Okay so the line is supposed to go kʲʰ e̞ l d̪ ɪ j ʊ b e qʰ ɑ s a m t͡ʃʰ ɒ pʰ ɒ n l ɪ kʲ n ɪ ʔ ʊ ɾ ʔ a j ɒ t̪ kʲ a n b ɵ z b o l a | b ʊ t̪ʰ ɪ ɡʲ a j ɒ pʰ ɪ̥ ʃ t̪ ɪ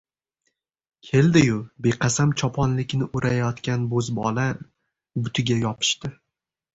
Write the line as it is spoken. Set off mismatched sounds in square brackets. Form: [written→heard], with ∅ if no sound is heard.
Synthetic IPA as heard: kʲʰ e̞ l d̪ ɪ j ʊ b e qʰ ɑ s a m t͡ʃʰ ɒ pʰ ɒ n l ɪ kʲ n ɪ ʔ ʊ ɾ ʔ a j ɒ t̪ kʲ a n b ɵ z b [o→ɒ] l a | b ʊ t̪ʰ ɪ ɡʲ a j ɒ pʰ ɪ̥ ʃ t̪ ɪ